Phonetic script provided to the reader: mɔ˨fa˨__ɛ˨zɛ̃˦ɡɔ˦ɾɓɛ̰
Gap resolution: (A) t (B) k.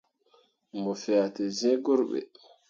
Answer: A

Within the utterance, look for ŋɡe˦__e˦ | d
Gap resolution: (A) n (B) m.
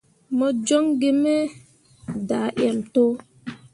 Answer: B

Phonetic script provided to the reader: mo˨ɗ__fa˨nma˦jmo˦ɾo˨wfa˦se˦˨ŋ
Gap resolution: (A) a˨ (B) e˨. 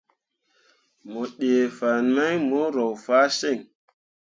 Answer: B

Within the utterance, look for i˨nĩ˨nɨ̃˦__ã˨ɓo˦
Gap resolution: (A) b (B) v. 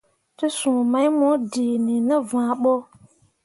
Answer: B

